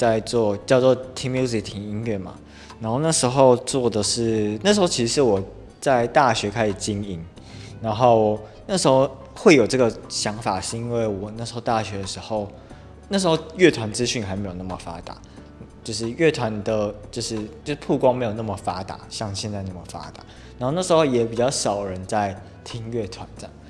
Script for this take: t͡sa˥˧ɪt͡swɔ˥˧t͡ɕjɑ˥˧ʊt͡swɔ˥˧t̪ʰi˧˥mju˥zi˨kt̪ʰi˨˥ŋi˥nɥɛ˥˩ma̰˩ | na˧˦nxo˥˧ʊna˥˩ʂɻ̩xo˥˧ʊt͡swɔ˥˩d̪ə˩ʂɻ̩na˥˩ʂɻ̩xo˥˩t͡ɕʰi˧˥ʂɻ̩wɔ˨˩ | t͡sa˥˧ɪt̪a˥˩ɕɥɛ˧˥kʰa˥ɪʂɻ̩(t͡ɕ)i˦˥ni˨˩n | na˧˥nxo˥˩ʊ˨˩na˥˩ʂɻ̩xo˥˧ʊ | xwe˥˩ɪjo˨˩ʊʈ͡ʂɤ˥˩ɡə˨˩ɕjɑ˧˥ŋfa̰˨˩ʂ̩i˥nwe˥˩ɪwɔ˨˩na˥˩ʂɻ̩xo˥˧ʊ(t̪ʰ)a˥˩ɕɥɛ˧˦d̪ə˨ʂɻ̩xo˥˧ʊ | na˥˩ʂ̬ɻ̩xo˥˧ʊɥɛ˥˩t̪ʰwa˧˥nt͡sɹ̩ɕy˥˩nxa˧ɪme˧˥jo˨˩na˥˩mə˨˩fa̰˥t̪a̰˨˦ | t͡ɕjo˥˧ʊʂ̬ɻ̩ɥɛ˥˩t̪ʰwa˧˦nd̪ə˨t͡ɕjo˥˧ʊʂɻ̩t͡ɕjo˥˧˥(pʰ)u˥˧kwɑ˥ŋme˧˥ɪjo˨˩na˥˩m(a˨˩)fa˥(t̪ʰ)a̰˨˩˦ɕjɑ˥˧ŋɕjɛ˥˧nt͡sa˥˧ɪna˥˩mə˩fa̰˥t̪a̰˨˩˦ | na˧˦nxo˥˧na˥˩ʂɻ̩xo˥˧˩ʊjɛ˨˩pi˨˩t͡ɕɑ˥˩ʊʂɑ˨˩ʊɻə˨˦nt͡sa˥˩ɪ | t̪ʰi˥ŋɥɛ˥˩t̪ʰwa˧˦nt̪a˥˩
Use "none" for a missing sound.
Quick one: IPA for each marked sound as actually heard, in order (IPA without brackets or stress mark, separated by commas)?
t͡ɕ, t̪, pʰ, ə˨˩, t̪